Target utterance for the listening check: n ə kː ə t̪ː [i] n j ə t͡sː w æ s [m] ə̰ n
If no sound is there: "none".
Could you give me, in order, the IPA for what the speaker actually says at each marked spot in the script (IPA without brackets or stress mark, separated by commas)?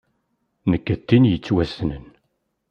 i, n